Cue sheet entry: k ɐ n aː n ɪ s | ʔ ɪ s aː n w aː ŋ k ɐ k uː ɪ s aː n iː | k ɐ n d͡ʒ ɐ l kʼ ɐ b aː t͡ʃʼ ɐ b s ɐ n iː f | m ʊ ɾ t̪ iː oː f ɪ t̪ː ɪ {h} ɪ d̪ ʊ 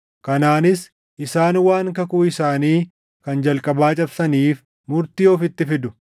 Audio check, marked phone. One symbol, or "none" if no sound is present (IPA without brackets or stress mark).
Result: f